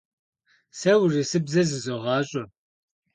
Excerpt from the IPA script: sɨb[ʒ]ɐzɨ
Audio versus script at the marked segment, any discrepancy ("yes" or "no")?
yes